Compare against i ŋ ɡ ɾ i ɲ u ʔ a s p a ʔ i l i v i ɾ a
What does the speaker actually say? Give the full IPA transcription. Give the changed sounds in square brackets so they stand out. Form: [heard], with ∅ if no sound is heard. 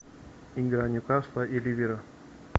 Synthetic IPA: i ŋ ɡ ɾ [a] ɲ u [k] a s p a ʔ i l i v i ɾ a